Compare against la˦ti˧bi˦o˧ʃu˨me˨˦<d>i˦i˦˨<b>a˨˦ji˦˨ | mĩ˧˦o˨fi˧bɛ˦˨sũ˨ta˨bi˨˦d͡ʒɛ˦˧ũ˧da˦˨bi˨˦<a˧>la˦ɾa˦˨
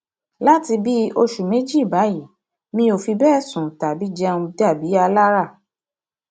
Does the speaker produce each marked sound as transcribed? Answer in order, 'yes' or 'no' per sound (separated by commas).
no, yes, yes